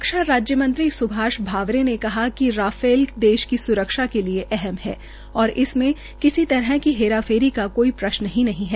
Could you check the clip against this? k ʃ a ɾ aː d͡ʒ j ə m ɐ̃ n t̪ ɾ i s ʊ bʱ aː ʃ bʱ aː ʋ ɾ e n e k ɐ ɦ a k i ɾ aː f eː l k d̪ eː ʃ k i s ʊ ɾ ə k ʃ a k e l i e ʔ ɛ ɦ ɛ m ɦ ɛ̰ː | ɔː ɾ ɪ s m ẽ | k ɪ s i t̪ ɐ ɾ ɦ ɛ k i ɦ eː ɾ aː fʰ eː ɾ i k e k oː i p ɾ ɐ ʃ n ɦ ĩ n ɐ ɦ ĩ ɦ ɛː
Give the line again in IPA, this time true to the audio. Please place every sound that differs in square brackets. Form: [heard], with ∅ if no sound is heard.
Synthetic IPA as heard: k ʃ a ɾ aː d͡ʒ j ə m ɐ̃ n t̪ ɾ i s ʊ bʱ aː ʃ bʱ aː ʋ ɾ e n e k ɐ ɦ a k i ɾ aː f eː l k d̪ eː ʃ k i s ʊ ɾ ə k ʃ a k e l i e ʔ ɛ ɦ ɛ m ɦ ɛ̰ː | ɔː ɾ ɪ s m ẽ | k ɪ s i t̪ ɐ ɾ ɦ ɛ k i ɦ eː ɾ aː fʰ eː ɾ i k [a] k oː i p ɾ ɐ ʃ n ɦ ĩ n ɐ ɦ ĩ ɦ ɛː

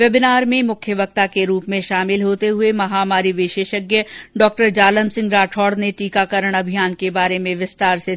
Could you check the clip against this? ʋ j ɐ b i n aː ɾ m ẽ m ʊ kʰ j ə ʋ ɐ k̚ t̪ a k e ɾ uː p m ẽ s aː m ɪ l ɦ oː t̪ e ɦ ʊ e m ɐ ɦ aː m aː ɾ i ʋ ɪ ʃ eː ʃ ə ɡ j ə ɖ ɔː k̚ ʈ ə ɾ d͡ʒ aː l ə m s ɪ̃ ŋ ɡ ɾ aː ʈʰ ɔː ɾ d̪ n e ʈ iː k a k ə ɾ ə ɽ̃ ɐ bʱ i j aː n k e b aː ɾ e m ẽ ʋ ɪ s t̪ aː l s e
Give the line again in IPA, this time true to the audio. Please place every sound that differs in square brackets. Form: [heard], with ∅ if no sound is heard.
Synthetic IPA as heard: ʋ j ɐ b [ɪ] n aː ɾ m ẽ m ʊ kʰ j ə ʋ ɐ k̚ t̪ a k e ɾ uː p m ẽ [ʃ] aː m ɪ l ɦ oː t̪ e ɦ ʊ e m ɐ ɦ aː m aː ɾ i ʋ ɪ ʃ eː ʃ ə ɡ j ə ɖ ɔː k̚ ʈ ə ɾ d͡ʒ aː l ə m s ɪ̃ ŋ ɡ ɾ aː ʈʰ ɔː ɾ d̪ n e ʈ iː k a k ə ɾ ə ɽ̃ ɐ bʱ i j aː n k e b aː ɾ e m ẽ ʋ ɪ s t̪ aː [ɾ] s e

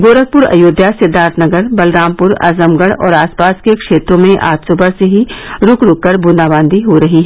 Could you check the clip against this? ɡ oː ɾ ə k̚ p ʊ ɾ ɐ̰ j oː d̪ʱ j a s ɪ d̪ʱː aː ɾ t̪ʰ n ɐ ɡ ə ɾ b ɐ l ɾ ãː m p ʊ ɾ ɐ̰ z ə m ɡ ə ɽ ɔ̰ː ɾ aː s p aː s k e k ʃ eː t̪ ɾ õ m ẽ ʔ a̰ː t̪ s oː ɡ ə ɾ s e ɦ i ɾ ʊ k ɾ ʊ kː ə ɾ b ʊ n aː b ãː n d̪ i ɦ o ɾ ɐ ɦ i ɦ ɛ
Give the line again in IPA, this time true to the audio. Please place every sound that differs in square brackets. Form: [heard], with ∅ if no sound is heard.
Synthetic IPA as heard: ɡ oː ɾ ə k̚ p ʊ ɾ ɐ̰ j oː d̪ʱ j a s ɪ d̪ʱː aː ɾ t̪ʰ n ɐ ɡ ə ɾ b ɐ l ɾ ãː m p ʊ ɾ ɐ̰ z ə m ɡ ə ɽ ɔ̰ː ɾ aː s p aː s k e k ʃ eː t̪ ɾ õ m ẽ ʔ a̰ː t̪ s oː [b] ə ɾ s e ɦ i ɾ ʊ k ɾ ʊ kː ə ɾ b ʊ n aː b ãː n d̪ i ɦ o ɾ ɐ ɦ i ɦ ɛ

